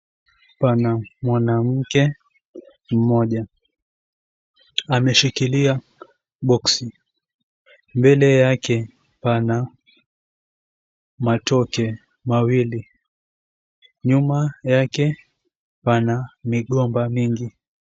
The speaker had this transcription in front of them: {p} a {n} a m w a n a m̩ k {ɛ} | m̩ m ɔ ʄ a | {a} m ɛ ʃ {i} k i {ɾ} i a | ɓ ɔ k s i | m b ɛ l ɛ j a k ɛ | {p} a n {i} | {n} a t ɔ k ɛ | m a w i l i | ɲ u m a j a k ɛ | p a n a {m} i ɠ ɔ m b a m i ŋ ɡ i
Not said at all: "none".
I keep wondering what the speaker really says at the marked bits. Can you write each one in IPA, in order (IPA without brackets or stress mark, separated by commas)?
p, n, ɛ, a, i, l, p, a, m, m